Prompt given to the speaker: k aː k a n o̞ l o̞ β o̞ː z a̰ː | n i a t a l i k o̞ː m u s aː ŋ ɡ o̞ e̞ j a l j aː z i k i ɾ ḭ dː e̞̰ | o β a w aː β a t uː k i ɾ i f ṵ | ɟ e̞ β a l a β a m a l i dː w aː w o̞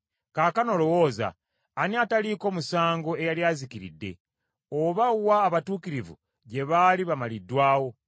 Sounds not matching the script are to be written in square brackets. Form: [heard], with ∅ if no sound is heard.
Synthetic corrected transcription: k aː k a n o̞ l o̞ [w] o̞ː z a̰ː | n i a t a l i k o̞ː m u s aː ŋ ɡ o̞ e̞ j a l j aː z i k i ɾ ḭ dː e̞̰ | o β a w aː β a t uː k i ɾ i [v] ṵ | ɟ e̞ β a l [i] β a m a l i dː w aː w o̞